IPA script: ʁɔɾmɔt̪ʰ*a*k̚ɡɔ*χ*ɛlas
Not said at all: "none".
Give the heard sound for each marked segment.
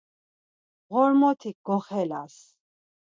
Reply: i, χ

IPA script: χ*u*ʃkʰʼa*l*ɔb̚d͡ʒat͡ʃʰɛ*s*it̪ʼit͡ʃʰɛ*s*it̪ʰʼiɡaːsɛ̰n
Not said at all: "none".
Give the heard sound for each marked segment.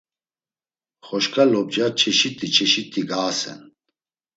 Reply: ɔ, l, ʃ, ʃ

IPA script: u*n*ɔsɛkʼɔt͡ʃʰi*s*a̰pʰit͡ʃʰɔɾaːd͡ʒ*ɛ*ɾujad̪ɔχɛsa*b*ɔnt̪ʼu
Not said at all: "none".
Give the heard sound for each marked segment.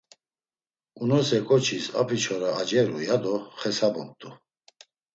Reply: n, s, ɛ, b

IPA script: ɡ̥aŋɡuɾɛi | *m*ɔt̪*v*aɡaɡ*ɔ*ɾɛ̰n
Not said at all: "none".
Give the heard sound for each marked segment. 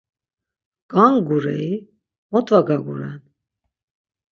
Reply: m, v, u

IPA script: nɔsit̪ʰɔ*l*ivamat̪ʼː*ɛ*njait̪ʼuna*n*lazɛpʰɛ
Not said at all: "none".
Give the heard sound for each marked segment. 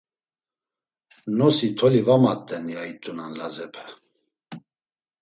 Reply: l, ɛ, n

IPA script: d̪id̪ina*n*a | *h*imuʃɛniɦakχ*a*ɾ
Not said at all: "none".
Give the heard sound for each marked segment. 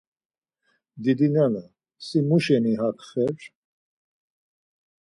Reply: n, s, ɛ

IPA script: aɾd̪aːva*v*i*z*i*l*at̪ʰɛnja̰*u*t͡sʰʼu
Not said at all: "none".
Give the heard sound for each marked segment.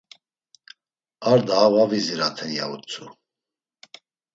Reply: v, z, ɾ, u

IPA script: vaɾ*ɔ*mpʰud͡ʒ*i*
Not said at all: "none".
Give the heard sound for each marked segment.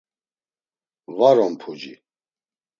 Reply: ɔ, i

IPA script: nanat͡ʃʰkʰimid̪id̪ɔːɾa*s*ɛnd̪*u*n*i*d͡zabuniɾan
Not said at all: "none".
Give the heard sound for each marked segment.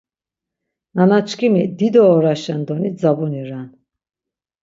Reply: ʃ, ɔ, i

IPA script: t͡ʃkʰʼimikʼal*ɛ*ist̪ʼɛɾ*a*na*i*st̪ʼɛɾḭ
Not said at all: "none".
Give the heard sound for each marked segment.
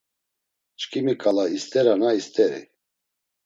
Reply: a, a, i

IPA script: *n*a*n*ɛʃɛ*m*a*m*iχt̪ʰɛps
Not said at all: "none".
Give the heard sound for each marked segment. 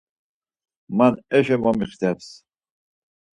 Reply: m, n, m, m

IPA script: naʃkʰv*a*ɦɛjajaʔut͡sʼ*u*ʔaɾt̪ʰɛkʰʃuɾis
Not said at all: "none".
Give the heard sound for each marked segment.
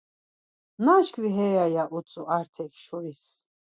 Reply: i, u

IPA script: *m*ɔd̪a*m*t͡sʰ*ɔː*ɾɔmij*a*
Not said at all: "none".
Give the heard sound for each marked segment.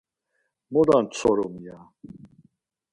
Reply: m, n, ɔ, a

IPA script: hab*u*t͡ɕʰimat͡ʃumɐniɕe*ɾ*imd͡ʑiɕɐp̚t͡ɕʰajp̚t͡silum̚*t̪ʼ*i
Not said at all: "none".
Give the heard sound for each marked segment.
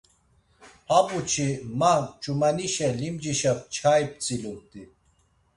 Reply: u, l, t̪

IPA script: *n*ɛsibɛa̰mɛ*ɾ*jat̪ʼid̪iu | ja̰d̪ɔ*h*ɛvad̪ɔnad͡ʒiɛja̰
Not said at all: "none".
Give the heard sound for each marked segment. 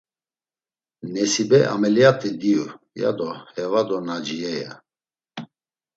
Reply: n, l, h

